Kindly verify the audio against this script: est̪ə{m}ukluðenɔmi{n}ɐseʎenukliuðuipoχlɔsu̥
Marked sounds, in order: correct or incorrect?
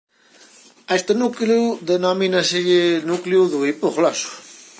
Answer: incorrect, correct

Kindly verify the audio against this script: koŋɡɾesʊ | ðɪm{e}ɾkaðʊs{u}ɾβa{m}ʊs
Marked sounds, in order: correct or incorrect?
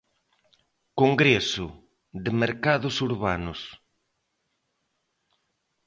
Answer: correct, correct, incorrect

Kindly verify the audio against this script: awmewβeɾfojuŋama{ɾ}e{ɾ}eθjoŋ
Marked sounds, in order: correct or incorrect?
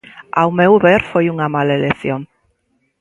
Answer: incorrect, incorrect

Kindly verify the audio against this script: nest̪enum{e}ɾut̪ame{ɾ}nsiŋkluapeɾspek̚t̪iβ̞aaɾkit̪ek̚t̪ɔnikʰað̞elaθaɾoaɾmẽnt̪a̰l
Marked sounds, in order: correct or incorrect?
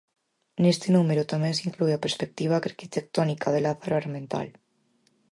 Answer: correct, incorrect

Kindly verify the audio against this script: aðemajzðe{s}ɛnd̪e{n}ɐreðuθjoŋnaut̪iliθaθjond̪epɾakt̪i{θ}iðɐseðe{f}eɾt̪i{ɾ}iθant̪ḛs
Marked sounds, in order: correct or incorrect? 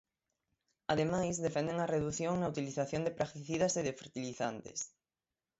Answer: incorrect, incorrect, correct, correct, incorrect

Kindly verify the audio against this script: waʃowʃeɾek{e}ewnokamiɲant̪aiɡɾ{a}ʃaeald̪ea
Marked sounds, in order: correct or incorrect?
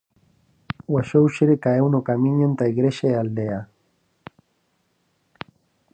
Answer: incorrect, incorrect

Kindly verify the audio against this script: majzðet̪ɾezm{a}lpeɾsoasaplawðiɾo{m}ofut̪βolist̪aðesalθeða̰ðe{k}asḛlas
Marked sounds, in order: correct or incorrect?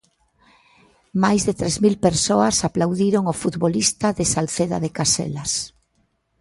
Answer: incorrect, incorrect, correct

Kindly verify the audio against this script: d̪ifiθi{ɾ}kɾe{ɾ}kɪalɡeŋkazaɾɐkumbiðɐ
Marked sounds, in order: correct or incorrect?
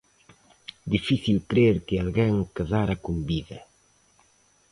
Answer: incorrect, correct

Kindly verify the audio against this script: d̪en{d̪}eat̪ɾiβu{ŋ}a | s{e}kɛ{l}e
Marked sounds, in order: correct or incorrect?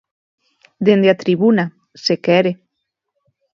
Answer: correct, incorrect, correct, incorrect

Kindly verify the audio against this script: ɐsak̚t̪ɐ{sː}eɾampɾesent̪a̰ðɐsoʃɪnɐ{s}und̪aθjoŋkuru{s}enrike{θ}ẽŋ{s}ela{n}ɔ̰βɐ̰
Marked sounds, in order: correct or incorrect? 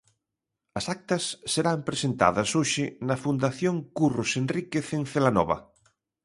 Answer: correct, incorrect, correct, correct, incorrect, correct

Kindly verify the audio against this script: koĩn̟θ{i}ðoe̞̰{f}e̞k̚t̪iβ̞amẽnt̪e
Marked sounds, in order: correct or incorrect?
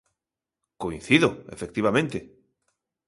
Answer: correct, correct

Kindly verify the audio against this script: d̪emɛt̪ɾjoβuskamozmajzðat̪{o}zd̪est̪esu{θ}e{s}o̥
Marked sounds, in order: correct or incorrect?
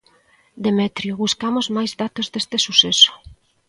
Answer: correct, incorrect, correct

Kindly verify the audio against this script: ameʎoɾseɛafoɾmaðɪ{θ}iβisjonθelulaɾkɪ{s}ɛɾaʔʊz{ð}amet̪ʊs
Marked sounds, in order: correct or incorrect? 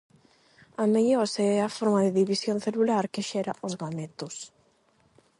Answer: incorrect, incorrect, incorrect

